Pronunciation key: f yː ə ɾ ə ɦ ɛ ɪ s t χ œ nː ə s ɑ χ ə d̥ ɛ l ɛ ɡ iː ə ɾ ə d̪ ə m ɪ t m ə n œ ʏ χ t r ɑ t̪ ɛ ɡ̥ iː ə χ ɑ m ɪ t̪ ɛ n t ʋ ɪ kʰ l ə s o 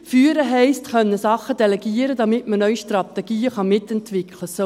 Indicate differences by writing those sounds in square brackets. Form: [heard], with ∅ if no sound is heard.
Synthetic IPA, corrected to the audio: f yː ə ɾ ə ɦ ɛ ɪ s t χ œ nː ə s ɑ χ ə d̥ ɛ l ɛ ɡ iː ə ɾ ə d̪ [ɑ] m ɪ t m ə n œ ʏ [ʃ] t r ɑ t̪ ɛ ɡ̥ iː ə χ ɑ m ɪ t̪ ɛ n t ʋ ɪ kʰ l ə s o

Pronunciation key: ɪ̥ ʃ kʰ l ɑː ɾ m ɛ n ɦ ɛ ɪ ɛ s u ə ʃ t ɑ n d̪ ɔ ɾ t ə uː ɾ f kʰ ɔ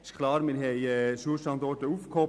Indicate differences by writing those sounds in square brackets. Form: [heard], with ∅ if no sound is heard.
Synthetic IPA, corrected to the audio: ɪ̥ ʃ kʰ l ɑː ɾ m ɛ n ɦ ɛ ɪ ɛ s u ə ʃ t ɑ n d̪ ɔ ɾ t ə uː [∅] f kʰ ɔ

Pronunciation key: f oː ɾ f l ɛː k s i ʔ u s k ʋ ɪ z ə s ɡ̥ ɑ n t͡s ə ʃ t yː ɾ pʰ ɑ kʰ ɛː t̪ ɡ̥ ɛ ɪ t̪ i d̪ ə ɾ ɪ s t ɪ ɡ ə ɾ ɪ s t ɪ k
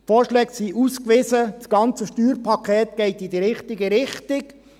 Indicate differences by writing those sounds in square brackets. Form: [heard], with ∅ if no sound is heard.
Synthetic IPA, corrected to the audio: f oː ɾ [ʃ] l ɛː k s i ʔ u s k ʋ ɪ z ə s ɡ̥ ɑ n t͡s ə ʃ t yː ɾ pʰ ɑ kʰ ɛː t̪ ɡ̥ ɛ ɪ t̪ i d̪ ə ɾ ɪ [χ] t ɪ ɡ ə ɾ ɪ [χ] t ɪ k

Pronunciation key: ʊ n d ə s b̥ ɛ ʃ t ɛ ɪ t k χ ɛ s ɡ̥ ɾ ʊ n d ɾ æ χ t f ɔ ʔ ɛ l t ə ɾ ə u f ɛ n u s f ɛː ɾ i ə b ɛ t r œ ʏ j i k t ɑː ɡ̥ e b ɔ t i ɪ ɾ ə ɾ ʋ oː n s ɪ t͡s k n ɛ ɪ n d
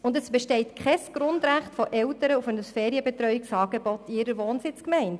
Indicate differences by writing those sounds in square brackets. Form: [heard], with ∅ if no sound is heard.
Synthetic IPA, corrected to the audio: ʊ n d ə s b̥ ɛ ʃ t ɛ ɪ t k χ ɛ s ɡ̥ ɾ ʊ n d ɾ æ χ t f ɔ ʔ ɛ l t ə ɾ ə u f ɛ n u s f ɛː ɾ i ə b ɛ t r œ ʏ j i k [s] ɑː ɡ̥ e b ɔ t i ɪ ɾ ə ɾ ʋ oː n s ɪ t͡s k [m] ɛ ɪ n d

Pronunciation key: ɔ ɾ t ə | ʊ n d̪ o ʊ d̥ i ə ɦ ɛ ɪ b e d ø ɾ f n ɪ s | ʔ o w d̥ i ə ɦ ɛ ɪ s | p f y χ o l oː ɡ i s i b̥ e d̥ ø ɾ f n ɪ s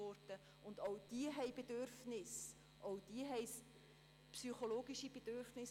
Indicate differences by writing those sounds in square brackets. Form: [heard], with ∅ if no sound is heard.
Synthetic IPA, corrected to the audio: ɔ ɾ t ə | ʊ n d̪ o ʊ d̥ i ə ɦ ɛ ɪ b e d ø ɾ f n ɪ s | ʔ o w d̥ i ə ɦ ɛ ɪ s | p [s] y χ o l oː ɡ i [ʃ] i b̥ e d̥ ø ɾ f n ɪ s

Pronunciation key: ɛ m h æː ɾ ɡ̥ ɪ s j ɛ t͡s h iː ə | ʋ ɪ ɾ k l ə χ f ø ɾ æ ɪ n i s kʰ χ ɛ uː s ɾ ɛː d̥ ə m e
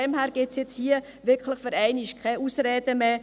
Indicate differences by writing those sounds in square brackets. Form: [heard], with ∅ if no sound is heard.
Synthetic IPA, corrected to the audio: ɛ m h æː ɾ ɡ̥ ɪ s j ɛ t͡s h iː ə | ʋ ɪ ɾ k l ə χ f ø ɾ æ ɪ n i [ʃ] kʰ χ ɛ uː s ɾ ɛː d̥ ə m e

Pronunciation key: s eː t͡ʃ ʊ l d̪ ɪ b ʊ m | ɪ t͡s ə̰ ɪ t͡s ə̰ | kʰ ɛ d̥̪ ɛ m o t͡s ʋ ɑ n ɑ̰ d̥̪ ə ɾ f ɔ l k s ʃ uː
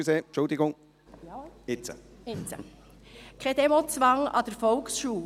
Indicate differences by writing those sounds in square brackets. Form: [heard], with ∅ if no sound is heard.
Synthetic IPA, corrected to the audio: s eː t͡ʃ ʊ l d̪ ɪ [ɡ] ʊ [ŋ] | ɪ t͡s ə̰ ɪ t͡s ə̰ | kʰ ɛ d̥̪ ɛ m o t͡s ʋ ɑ [ŋ] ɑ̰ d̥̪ ə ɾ f ɔ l k s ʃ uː

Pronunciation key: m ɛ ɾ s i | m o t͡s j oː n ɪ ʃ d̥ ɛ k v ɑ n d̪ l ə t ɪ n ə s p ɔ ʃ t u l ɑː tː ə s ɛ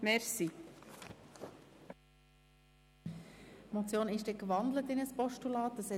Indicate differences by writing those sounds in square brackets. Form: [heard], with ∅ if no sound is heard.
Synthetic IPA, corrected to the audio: m ɛ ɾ s i | m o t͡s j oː n ɪ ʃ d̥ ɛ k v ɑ n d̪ l ə t ɪ n ə s p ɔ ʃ t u l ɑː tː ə s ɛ

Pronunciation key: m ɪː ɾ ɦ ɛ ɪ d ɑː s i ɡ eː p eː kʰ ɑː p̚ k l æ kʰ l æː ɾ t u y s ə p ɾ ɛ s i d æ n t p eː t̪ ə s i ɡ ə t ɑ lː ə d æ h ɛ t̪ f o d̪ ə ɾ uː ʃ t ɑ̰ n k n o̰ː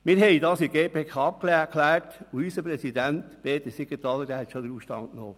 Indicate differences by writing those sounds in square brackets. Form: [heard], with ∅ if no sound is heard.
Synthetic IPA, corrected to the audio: m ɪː ɾ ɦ ɛ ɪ d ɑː s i ɡ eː p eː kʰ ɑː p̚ k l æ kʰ l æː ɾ t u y s ə p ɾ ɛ s i d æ n t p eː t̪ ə s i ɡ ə t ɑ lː ə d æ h ɛ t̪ [ʃ] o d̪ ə ɾ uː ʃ t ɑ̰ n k n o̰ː

